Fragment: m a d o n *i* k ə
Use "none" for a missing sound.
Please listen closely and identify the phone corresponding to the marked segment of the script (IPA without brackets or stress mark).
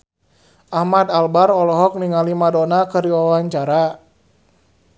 a